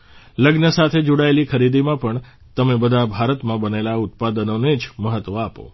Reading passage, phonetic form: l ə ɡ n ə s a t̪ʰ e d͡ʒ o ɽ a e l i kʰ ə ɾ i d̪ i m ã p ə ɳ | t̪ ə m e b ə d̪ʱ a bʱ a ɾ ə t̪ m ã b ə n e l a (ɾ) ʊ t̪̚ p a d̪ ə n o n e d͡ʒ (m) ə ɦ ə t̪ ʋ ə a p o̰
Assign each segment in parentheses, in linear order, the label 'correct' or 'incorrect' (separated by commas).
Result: incorrect, correct